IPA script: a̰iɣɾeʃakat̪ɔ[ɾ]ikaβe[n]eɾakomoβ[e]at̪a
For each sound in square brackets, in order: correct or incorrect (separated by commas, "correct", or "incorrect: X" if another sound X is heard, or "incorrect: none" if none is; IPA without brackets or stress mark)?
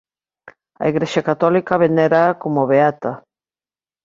incorrect: l, correct, correct